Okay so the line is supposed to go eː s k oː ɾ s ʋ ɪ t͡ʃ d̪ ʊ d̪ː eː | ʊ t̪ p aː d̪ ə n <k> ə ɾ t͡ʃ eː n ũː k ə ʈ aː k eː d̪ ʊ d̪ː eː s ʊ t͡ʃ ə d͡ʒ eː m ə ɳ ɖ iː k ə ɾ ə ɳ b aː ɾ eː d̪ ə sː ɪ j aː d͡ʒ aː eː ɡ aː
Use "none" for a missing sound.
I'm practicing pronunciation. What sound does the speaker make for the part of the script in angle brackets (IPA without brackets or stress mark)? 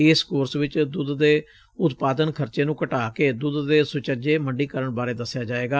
kʰ